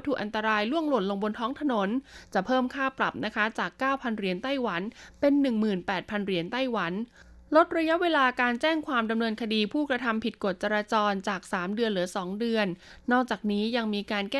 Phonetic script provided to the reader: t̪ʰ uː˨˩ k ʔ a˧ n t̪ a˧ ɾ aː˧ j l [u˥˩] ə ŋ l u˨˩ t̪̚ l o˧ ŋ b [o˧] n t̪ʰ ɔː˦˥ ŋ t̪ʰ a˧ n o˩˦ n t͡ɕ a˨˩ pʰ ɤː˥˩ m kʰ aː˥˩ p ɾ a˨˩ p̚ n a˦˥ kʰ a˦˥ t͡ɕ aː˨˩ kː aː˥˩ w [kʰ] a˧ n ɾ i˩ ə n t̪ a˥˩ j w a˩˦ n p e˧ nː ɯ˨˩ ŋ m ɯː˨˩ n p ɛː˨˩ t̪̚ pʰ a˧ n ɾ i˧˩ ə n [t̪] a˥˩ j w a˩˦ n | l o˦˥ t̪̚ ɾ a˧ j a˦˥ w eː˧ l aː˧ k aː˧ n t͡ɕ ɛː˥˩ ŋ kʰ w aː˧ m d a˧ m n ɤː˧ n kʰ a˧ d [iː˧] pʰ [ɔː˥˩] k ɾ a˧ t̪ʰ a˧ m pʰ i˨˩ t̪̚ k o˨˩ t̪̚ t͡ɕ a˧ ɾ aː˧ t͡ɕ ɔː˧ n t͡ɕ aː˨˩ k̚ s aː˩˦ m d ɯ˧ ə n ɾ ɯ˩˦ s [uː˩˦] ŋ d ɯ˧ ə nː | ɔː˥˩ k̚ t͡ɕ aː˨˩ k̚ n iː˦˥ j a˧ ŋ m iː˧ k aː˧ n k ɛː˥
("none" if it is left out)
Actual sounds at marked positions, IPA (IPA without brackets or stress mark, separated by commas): u˥˩, o˧, pʰ, t̪, iː˧, uː˥˩, ɔː˩˦